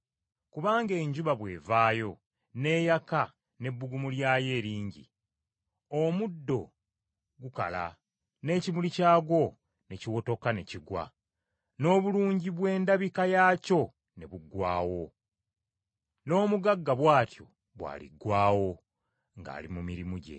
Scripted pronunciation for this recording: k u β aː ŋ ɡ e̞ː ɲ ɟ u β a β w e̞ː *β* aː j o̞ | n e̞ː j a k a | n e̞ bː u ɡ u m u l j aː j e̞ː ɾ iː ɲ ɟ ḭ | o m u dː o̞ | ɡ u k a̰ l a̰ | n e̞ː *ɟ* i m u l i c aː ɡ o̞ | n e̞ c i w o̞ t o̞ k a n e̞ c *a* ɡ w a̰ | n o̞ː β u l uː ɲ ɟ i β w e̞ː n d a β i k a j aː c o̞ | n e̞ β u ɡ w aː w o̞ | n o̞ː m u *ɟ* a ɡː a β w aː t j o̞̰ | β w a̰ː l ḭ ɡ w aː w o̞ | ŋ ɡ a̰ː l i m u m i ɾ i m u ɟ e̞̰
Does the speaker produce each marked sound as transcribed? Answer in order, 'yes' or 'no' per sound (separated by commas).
no, no, no, no